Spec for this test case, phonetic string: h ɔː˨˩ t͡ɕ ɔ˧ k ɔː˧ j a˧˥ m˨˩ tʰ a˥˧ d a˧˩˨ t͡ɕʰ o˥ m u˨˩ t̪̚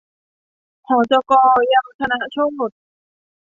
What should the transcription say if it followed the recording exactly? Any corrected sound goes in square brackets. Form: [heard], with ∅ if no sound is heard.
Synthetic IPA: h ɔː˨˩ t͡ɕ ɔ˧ k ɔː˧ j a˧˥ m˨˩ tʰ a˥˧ [n] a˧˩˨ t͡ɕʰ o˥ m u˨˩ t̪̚